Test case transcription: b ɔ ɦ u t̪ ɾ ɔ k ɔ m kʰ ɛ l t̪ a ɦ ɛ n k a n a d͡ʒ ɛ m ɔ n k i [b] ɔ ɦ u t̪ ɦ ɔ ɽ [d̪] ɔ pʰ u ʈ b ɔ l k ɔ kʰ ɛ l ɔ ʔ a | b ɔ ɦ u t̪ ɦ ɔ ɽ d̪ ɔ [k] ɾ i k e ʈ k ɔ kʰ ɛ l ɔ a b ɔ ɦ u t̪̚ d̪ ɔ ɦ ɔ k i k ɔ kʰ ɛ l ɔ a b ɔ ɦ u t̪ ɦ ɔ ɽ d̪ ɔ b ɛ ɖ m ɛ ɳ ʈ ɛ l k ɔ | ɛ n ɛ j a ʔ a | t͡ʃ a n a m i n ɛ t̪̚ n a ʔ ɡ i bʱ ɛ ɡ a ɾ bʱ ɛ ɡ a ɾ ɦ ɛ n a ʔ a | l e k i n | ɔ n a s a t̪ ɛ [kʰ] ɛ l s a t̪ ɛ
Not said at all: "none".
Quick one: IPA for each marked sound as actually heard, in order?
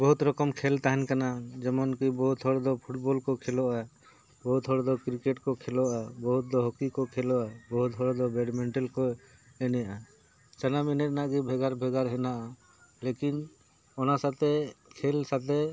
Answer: b, d̪, k, kʰ

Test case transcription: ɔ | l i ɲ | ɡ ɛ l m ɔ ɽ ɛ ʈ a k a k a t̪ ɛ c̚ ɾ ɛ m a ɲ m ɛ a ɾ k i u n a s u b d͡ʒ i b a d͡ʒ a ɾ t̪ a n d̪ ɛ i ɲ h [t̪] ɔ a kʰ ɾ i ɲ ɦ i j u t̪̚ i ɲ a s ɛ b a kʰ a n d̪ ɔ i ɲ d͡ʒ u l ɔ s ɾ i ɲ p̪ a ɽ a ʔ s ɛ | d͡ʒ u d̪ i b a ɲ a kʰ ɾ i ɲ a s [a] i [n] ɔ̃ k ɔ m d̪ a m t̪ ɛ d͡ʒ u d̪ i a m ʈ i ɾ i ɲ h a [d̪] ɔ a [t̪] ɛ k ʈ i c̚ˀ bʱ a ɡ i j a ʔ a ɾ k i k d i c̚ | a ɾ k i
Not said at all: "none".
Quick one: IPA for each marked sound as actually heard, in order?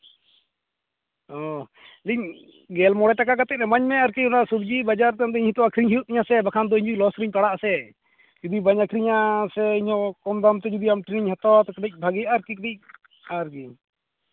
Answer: t̪, ɛ, ɲ, t̪, t̪

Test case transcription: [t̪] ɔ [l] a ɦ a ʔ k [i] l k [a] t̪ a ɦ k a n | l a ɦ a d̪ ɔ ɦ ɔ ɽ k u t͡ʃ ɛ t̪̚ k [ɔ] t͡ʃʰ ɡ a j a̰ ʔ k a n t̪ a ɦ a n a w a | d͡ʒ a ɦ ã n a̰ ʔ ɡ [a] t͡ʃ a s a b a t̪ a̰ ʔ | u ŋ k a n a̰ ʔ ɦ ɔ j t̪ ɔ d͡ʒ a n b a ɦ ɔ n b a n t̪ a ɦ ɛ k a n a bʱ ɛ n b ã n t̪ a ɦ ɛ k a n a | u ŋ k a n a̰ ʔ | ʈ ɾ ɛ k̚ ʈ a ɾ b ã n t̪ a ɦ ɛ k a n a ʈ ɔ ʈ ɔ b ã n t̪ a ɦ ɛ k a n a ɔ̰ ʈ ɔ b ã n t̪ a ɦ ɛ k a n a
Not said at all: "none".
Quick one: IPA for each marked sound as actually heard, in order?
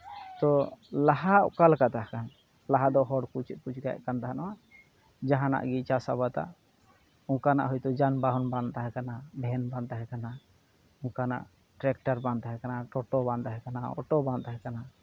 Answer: t̪, l, a, a, u, i

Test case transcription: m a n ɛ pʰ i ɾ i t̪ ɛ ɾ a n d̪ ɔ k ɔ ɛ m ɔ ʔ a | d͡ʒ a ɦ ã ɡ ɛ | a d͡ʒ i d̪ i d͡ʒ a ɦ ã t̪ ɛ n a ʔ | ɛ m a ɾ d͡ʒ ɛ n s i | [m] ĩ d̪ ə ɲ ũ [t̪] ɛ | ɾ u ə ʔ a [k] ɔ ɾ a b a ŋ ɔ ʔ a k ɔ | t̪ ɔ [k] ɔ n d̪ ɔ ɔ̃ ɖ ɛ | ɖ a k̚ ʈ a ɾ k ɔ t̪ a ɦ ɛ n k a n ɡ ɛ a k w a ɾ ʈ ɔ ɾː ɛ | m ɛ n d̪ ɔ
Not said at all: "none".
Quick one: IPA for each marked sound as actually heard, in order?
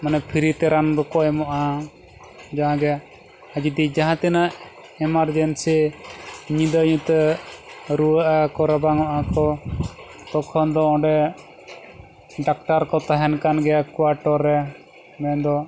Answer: ɲ, t̪, k, kʰ

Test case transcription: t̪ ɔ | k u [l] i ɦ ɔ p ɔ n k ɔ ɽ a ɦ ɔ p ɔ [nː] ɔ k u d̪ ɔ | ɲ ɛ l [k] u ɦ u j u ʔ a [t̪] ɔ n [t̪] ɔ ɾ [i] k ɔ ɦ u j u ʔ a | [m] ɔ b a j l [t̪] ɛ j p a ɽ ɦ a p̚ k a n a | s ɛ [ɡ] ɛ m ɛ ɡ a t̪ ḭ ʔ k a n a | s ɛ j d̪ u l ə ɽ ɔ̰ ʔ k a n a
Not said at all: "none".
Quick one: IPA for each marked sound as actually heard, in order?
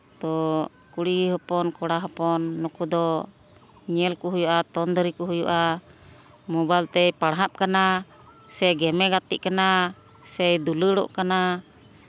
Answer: ɽ, nː, k, t̪, d̪, i, m, t̪, ɡ

